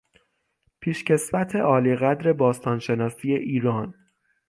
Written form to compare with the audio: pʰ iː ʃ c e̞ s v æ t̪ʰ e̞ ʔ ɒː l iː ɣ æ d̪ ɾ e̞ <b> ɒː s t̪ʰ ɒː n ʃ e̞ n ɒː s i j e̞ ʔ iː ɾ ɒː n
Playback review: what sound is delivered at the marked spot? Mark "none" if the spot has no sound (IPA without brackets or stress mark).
b